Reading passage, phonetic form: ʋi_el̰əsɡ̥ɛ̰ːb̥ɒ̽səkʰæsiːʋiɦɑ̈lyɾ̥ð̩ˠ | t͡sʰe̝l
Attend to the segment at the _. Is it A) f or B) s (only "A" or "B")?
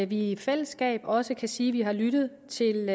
A